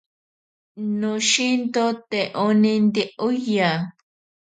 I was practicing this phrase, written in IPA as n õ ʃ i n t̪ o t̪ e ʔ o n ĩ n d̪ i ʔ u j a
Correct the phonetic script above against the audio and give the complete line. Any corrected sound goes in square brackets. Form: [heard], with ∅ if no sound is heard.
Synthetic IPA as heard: n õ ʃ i n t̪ o t̪ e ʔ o n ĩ n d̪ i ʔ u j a